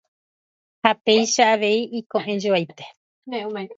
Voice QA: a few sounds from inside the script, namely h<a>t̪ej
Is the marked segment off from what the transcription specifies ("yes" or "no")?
no